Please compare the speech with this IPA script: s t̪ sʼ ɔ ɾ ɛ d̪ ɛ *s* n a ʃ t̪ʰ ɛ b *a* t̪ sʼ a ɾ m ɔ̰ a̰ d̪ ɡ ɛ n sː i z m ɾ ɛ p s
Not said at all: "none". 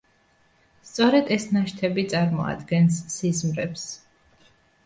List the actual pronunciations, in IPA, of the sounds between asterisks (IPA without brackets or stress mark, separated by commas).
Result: s, i